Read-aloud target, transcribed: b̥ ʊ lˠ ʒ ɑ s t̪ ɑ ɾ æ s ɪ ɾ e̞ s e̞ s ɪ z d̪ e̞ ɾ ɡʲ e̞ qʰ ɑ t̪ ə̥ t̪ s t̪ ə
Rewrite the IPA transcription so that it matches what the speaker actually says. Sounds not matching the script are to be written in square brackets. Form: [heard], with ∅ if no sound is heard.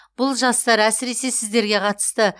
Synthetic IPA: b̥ ʊ lˠ ʒ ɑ s t̪ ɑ ɾ æ s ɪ ɾ e̞ s e̞ s ɪ z d̪ e̞ ɾ ɡʲ e̞ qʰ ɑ t̪ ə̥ [∅] s t̪ ə